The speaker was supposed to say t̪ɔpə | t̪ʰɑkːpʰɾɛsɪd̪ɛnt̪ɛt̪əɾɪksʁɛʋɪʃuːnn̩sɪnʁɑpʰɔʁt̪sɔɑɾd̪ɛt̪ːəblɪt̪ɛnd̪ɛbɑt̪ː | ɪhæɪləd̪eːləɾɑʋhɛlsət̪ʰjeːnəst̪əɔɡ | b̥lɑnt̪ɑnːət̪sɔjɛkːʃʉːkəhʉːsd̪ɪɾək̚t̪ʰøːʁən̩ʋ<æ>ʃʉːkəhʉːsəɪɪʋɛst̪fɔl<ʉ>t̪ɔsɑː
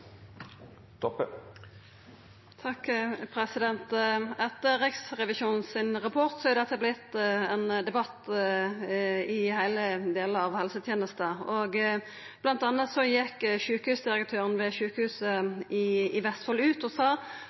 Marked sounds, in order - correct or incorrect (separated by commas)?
incorrect, incorrect